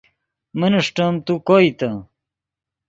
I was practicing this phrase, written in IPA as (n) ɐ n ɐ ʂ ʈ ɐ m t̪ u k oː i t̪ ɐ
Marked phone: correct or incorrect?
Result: incorrect